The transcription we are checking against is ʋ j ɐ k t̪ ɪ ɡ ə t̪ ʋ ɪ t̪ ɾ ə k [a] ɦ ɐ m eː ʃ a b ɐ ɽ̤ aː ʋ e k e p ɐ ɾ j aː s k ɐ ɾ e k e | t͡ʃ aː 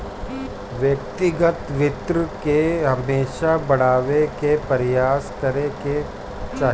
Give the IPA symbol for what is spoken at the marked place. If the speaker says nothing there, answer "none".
e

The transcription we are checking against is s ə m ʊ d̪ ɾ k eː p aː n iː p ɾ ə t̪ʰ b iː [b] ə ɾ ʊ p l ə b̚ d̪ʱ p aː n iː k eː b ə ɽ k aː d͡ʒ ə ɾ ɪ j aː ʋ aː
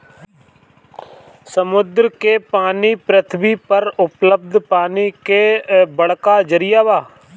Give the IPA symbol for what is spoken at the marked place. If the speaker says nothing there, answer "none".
p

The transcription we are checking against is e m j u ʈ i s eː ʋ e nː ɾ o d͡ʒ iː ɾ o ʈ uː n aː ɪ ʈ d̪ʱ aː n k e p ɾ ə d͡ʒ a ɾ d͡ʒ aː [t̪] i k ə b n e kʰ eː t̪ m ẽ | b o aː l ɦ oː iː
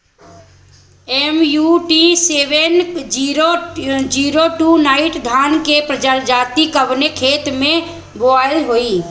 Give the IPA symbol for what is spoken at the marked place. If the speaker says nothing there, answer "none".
t̪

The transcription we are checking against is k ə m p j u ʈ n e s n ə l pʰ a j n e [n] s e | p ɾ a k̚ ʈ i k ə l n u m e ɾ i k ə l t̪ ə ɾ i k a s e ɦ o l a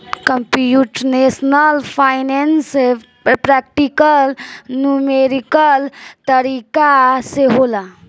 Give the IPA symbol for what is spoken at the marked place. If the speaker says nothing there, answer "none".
n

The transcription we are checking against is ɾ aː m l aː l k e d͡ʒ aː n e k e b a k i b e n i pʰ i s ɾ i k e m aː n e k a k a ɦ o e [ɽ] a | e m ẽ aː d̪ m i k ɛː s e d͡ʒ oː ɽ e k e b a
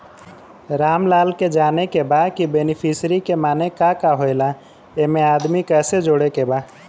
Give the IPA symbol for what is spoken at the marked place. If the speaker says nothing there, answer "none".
l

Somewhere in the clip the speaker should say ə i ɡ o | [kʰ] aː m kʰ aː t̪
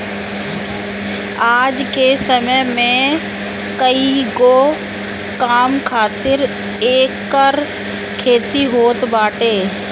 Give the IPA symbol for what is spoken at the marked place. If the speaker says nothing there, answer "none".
k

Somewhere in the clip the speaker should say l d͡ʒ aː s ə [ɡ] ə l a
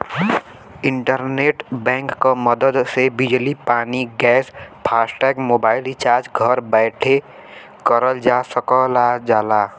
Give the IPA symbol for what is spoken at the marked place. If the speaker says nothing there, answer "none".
k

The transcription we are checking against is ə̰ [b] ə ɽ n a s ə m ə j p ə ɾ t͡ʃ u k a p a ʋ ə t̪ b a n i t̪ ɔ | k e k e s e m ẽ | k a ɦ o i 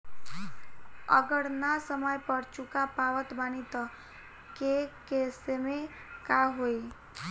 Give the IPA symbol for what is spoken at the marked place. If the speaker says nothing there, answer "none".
ɡ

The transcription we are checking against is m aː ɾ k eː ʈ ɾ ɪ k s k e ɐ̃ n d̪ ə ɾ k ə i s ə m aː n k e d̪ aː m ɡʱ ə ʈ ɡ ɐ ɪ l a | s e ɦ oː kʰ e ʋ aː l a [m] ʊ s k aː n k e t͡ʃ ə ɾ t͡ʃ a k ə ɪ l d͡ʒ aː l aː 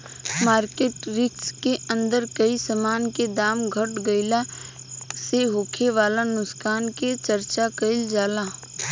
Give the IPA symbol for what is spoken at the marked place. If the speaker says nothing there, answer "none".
n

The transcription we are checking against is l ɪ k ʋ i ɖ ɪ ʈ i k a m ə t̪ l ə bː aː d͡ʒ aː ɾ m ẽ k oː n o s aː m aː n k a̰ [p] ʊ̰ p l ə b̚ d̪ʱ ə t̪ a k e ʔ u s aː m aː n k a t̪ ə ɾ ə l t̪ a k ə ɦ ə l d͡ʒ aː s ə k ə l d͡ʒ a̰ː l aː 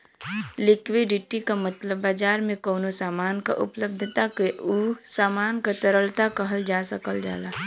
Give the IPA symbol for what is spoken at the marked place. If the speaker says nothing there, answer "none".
ʔ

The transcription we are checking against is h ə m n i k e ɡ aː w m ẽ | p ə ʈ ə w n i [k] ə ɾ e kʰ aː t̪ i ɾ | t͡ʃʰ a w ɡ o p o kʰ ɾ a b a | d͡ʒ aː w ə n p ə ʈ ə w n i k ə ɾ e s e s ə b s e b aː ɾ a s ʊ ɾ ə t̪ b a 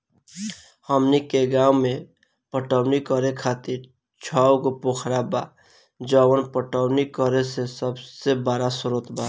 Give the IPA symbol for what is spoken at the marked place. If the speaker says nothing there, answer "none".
k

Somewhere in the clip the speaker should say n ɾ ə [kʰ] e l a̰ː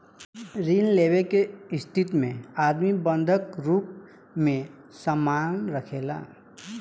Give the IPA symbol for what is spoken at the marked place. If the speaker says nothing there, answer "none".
kʰ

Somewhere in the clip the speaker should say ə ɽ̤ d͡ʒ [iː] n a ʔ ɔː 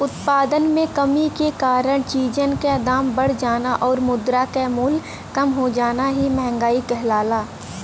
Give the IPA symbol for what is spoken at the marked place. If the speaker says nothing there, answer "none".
aː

